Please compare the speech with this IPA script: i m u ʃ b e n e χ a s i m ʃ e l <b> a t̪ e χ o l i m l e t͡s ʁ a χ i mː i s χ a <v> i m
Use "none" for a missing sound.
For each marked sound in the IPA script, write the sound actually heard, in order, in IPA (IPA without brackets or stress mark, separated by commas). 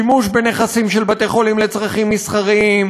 b, ʁ